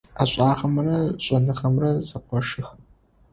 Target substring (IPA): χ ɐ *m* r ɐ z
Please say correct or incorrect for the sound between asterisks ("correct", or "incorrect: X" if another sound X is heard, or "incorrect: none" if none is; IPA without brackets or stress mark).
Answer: correct